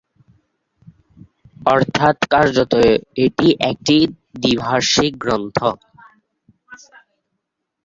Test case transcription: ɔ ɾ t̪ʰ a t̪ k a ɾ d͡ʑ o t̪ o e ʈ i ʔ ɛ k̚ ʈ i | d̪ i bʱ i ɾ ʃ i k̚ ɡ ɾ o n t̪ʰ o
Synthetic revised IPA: ɔ ɾ t̪ʰ a t̪ k a ɾ d͡ʑ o t̪ o e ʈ i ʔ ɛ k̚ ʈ i | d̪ i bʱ a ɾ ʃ i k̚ ɡ ɾ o n t̪ʰ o